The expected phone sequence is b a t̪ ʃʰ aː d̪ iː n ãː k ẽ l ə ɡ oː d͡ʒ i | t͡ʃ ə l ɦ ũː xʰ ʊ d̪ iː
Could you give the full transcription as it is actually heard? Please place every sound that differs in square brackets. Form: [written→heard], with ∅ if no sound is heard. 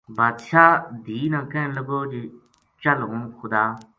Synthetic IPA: b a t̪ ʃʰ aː d̪ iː n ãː k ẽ l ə ɡ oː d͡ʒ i | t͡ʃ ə l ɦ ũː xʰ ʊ d̪ [iː→aː]